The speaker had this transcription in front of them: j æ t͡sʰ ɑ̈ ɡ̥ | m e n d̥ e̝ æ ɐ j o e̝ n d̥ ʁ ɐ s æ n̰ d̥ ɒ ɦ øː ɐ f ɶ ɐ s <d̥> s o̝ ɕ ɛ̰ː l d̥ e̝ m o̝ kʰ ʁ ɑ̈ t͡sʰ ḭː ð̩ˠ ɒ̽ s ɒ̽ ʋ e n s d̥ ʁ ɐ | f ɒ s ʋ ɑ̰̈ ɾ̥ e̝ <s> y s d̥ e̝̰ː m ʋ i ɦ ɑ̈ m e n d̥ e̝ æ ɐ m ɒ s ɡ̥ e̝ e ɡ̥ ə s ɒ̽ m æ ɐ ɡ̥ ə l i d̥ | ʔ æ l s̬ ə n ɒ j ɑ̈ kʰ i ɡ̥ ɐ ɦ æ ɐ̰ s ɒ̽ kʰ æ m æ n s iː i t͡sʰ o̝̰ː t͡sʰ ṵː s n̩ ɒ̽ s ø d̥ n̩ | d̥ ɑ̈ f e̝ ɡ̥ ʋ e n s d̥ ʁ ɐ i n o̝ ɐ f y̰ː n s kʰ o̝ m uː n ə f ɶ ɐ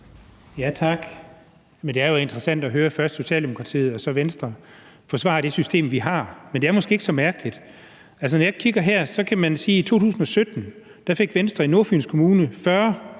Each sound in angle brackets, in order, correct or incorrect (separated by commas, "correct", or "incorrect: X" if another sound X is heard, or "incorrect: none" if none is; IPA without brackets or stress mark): correct, correct